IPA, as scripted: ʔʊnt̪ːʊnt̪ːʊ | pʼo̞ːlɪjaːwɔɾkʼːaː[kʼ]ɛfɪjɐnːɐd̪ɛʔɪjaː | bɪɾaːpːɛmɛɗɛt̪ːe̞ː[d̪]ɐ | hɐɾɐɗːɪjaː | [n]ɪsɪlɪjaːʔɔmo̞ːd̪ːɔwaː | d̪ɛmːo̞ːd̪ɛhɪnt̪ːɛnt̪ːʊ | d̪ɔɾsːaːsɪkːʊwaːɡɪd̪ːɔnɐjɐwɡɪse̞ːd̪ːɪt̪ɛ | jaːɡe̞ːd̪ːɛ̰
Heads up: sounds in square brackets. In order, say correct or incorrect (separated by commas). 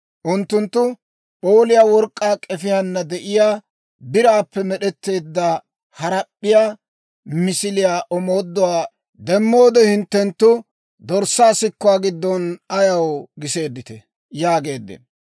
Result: correct, incorrect, incorrect